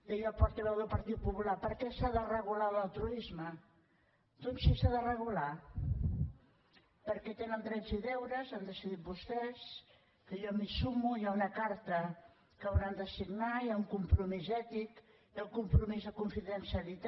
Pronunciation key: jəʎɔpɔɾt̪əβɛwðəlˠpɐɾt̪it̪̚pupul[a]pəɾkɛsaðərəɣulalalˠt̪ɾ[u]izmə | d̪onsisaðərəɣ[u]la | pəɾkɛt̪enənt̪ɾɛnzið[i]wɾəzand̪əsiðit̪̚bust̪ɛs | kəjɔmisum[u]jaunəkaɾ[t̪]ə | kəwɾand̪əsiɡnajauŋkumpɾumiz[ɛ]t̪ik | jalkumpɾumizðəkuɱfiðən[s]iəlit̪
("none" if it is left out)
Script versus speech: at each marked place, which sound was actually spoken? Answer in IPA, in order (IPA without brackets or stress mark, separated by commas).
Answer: a, u, u, ɛ, u, t̪, ɛ, s